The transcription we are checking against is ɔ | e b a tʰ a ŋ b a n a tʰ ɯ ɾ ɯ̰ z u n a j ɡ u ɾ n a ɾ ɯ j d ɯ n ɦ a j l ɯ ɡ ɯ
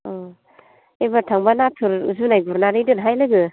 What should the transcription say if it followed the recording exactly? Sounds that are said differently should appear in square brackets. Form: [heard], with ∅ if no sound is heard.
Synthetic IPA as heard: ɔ | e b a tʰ a ŋ b a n a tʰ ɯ ɾ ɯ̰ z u n a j ɡ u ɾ n a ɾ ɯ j d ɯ n ɦ a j l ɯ ɡ ɯ